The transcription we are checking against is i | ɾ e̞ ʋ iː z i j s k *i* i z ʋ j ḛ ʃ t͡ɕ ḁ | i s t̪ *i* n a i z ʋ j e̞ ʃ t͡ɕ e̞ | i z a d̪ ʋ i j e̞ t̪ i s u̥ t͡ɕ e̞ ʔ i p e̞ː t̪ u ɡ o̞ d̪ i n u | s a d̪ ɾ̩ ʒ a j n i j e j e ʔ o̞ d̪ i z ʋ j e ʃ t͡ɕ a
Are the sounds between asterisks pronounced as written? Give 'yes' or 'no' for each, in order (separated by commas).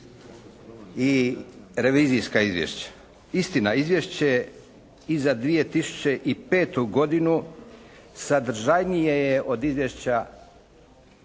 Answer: no, yes